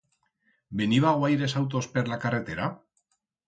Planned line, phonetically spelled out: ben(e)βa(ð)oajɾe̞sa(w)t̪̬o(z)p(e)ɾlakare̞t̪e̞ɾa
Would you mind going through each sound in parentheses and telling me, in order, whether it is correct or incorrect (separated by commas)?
incorrect, incorrect, correct, incorrect, correct